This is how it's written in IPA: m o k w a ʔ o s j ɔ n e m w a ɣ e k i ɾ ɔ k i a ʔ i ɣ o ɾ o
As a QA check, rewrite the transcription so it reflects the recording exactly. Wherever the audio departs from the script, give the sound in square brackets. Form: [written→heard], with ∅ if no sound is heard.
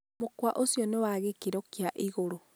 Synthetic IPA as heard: m o k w a ʔ o s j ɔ n e [m→∅] w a ɣ e k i ɾ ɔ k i a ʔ i ɣ o ɾ o